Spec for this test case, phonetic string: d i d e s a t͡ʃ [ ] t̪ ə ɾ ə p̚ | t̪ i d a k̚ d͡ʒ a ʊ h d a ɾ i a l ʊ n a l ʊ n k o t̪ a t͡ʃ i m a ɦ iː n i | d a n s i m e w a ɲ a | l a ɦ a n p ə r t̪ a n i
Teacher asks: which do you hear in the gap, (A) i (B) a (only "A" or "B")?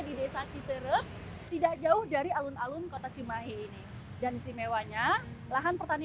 A